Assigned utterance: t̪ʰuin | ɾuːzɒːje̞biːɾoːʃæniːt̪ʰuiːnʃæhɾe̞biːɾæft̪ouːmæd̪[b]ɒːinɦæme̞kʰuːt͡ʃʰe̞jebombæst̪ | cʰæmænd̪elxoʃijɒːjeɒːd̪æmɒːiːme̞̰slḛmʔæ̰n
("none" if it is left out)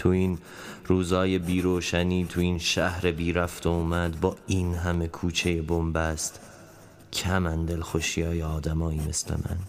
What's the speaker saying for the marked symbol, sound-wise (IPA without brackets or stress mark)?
b